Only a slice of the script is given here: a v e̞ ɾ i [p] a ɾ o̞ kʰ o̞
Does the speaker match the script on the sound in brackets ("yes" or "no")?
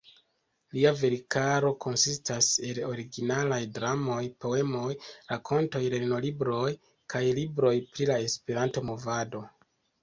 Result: no